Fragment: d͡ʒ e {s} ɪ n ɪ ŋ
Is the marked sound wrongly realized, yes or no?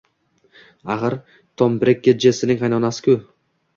no